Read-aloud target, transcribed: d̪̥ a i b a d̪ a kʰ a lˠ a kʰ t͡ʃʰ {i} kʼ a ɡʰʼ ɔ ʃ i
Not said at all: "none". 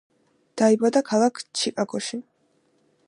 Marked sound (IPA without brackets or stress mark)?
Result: i